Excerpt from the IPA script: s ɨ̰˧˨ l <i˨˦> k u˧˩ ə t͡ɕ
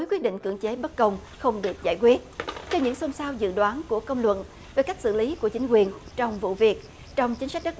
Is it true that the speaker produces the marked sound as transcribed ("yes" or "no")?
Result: yes